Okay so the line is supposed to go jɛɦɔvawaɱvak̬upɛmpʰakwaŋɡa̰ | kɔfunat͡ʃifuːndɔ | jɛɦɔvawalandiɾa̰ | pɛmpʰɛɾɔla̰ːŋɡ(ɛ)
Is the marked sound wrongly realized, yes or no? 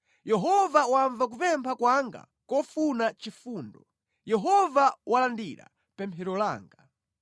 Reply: yes